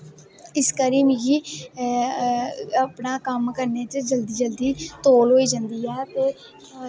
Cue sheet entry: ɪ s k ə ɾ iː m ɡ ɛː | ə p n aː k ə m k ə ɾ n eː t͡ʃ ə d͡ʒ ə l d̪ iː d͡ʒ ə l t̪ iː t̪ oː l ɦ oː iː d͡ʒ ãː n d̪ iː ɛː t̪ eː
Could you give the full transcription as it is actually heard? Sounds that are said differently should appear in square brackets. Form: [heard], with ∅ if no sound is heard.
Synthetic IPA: ɪ s k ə ɾ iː m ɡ [iː] | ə p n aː k ə m k ə ɾ n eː t͡ʃ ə d͡ʒ ə l d̪ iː d͡ʒ ə l [d̪] iː t̪ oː l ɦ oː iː d͡ʒ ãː n d̪ iː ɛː t̪ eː